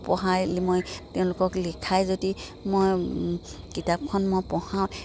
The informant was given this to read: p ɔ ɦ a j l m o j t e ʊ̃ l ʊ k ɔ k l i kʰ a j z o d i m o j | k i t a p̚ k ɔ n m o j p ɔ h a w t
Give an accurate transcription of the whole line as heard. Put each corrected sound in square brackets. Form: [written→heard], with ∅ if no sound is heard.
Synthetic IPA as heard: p ɔ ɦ a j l m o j t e ʊ̃ l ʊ k ɔ k l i kʰ a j z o d i m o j | k i t a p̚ [k→kʰ] ɔ n m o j p ɔ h a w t